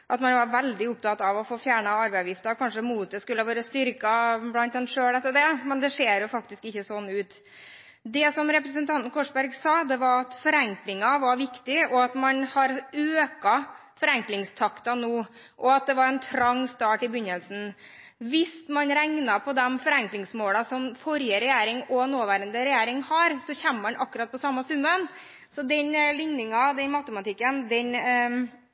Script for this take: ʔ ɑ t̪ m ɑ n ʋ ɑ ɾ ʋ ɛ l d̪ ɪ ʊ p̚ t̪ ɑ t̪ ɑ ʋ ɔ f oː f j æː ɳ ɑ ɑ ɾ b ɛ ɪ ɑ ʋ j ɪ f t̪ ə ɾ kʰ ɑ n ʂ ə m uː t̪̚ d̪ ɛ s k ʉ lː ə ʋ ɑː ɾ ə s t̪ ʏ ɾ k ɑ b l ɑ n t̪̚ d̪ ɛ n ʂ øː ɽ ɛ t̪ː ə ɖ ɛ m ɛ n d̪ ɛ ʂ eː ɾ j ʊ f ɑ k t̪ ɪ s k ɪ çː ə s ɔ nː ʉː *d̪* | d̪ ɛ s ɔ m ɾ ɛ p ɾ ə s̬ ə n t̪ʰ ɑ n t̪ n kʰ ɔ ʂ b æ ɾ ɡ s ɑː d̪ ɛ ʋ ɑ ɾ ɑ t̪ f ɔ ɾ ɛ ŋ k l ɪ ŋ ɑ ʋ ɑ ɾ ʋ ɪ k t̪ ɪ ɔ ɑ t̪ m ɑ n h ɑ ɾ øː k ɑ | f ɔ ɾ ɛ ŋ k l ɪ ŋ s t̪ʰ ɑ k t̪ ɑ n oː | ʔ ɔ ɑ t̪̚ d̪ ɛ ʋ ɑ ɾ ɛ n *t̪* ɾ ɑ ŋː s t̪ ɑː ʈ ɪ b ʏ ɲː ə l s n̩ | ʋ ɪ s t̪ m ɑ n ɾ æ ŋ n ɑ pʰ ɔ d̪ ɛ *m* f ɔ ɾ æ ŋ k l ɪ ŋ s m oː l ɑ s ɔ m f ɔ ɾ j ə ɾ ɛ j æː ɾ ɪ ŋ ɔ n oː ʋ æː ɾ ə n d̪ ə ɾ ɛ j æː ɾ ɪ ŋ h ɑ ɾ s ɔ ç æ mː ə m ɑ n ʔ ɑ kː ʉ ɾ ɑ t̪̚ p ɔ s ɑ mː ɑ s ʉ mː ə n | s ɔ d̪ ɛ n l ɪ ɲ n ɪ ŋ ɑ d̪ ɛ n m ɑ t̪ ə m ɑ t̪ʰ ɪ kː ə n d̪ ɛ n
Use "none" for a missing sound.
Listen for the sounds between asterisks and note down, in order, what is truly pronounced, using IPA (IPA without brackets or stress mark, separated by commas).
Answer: t̪, t̪ʰ, m